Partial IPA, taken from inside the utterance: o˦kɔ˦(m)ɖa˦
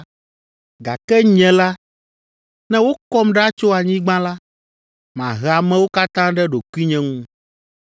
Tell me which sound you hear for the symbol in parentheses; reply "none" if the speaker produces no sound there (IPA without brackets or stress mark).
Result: m